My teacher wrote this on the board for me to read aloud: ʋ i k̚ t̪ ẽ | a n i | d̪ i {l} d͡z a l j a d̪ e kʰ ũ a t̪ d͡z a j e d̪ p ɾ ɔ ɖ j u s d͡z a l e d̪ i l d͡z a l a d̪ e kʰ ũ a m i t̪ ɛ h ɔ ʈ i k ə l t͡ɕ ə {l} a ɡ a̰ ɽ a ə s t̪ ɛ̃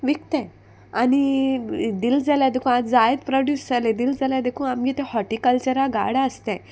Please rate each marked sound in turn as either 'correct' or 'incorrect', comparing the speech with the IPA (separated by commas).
correct, incorrect